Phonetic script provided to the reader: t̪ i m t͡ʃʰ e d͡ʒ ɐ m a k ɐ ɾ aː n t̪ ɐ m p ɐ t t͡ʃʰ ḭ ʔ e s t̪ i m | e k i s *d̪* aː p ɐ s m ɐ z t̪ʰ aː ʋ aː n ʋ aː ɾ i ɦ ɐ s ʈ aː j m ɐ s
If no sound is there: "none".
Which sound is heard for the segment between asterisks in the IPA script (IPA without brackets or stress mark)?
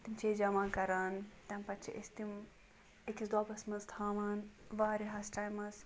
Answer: d̪